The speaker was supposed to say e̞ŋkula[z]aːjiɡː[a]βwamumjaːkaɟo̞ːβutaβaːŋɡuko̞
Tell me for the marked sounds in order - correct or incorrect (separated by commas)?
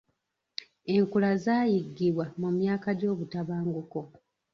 correct, incorrect